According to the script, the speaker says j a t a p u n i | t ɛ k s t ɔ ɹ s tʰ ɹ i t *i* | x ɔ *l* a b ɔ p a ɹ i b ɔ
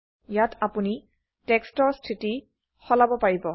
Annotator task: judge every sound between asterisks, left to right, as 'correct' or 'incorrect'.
correct, correct

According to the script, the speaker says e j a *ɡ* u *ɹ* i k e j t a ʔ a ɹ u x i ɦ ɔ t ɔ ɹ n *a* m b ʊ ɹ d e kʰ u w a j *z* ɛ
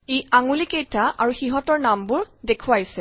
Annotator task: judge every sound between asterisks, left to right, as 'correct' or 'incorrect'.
incorrect: ŋ, incorrect: l, correct, incorrect: s

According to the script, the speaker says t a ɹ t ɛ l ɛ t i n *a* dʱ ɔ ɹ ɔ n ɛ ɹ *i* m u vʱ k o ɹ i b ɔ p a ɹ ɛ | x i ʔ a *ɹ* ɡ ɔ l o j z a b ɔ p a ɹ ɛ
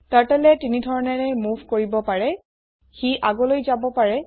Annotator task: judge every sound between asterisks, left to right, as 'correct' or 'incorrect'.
incorrect: i, incorrect: ɛ, incorrect: none

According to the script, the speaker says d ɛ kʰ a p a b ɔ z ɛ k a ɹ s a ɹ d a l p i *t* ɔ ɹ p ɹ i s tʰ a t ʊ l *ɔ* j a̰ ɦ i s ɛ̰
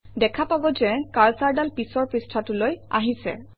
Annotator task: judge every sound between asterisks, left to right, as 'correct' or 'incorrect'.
incorrect: s, incorrect: o

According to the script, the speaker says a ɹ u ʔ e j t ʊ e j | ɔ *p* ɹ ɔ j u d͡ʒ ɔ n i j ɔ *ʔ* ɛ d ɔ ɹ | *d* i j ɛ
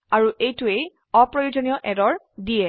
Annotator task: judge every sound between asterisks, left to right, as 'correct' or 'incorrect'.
correct, correct, correct

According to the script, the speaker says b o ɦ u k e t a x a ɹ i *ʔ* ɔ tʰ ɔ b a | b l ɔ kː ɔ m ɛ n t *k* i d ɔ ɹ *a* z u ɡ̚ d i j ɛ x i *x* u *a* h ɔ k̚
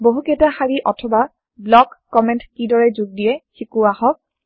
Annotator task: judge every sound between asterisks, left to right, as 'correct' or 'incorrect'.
correct, correct, incorrect: ɛ, incorrect: k, correct

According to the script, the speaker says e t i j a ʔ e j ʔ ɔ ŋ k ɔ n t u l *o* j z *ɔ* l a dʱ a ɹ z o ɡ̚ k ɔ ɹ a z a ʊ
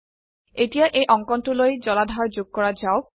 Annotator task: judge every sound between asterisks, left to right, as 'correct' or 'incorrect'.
correct, correct

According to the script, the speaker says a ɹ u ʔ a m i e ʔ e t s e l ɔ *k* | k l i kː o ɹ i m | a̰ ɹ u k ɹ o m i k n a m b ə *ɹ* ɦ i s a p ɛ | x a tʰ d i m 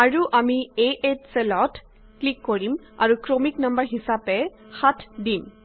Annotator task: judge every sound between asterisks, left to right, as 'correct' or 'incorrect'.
incorrect: t, correct

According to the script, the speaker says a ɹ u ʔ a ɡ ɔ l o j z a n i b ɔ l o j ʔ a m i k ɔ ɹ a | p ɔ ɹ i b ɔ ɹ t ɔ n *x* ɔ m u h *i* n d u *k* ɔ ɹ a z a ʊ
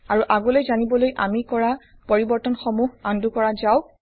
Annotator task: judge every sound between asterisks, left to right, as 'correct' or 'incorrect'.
correct, incorrect: a, correct

